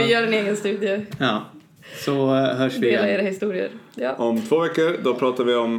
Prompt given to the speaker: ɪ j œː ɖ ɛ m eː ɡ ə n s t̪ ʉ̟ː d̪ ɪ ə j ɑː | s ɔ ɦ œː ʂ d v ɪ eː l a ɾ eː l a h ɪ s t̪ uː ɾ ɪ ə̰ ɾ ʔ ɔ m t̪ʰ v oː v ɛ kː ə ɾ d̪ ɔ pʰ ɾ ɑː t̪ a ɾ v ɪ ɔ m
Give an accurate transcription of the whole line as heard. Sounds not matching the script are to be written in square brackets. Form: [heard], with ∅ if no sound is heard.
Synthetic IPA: ɪ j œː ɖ ɛ [n] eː ɡ ə n s t̪ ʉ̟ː d̪ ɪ ə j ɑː | s ɔ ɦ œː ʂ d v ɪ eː l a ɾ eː [ɾ] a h ɪ s t̪ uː ɾ ɪ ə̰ ɾ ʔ ɔ m t̪ʰ v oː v ɛ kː ə ɾ d̪ ɔ pʰ ɾ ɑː t̪ a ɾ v ɪ ɔ m